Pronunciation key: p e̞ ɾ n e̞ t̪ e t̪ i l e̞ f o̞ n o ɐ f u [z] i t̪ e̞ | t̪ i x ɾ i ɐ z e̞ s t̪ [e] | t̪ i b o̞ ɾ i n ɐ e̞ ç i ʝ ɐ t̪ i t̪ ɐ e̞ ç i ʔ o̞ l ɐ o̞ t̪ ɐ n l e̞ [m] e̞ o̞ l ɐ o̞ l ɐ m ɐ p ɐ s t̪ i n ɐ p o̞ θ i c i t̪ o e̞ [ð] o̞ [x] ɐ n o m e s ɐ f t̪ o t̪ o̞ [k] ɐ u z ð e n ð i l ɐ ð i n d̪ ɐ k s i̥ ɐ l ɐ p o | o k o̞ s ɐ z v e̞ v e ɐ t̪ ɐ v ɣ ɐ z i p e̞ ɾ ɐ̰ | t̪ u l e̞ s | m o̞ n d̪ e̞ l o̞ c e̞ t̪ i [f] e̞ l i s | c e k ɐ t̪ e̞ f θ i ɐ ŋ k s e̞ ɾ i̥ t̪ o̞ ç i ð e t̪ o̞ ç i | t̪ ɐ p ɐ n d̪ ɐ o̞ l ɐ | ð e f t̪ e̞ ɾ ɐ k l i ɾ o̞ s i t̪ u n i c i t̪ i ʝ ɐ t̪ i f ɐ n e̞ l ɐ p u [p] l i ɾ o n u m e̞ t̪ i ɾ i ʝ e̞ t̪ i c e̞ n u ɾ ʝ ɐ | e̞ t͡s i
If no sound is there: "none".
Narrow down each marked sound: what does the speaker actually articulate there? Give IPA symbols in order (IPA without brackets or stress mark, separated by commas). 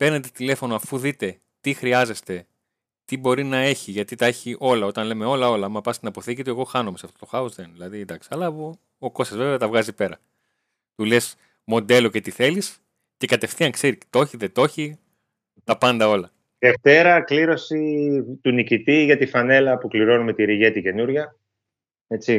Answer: ð, e, m, ɣ, x, x, θ, k